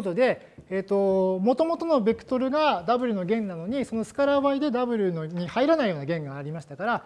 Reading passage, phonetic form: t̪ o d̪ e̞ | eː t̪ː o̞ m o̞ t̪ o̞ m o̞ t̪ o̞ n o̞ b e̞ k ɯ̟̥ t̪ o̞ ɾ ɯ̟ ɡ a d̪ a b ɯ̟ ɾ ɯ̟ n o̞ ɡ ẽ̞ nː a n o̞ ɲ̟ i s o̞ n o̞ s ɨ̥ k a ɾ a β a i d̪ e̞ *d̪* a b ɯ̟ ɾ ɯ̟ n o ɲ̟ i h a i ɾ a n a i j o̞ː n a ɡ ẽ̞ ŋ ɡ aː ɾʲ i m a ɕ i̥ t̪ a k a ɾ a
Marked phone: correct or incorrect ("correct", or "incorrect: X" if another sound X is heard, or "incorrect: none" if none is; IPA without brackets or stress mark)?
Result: correct